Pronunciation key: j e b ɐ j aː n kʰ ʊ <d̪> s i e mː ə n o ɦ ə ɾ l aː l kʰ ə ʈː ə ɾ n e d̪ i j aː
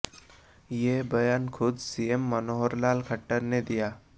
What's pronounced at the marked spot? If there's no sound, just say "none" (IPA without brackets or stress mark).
d̪